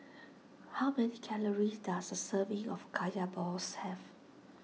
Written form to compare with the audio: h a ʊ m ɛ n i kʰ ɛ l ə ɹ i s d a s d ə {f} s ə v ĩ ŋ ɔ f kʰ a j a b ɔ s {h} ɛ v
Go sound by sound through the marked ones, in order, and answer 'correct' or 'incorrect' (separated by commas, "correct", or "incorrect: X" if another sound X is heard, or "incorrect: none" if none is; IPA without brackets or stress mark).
incorrect: none, correct